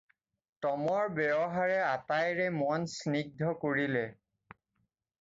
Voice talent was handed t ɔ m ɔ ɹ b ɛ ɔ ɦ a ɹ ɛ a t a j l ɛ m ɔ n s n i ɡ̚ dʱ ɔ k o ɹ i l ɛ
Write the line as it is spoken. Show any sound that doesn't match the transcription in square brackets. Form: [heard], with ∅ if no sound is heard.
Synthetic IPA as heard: t ɔ m ɔ ɹ b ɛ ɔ ɦ a ɹ ɛ a t a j [ɹ] ɛ m ɔ n s n i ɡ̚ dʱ ɔ k o ɹ i l ɛ